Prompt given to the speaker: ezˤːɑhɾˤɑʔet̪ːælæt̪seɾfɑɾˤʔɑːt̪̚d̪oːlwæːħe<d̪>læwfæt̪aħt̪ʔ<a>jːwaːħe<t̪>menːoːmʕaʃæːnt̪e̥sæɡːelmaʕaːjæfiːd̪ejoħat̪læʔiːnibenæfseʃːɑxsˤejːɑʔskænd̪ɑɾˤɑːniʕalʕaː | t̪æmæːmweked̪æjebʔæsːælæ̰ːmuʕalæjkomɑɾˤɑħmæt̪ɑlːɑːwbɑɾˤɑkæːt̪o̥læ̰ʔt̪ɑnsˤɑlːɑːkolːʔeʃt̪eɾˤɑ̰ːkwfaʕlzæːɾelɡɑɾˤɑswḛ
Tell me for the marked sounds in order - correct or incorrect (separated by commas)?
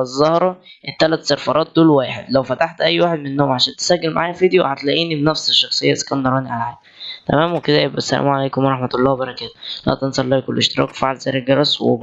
correct, incorrect, incorrect